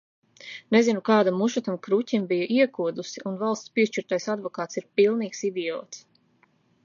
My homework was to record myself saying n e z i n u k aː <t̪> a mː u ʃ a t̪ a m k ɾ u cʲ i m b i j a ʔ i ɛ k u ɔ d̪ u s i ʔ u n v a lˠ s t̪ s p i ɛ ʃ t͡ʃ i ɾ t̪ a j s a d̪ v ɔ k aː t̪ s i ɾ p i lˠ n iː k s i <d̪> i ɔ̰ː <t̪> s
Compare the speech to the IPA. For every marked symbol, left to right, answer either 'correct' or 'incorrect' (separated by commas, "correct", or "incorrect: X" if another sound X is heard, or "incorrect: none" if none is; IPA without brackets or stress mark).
incorrect: d̪, correct, correct